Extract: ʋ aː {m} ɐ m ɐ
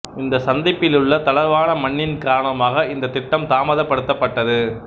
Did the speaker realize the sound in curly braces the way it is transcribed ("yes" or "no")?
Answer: no